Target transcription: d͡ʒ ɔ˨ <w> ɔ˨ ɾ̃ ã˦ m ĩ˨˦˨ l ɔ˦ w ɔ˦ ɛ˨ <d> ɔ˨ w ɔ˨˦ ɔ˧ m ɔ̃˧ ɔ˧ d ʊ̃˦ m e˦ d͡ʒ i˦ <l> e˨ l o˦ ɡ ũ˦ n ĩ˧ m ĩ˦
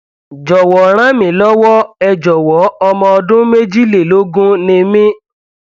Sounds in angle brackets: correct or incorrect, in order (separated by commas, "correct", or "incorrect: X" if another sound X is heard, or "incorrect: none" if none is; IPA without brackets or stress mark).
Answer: correct, incorrect: d͡ʒ, correct